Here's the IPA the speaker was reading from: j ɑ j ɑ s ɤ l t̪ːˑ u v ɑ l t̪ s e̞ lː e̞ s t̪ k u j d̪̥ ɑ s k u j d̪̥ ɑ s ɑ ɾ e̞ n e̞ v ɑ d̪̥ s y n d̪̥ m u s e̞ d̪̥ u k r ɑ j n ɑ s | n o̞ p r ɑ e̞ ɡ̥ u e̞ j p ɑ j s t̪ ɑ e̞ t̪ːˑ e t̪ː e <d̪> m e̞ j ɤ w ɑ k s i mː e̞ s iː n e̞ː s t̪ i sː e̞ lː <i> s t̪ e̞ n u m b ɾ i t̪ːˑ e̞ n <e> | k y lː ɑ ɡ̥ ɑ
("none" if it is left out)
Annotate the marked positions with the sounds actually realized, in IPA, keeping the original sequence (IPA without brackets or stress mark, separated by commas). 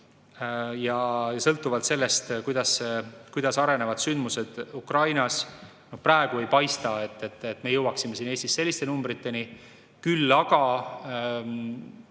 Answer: t̪, i, i